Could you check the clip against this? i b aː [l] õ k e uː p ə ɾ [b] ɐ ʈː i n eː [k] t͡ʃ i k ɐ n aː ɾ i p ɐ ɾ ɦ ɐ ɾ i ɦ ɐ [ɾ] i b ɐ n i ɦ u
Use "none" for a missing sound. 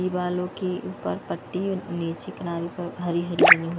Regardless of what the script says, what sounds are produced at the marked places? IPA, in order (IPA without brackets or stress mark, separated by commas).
l, p, none, ɾ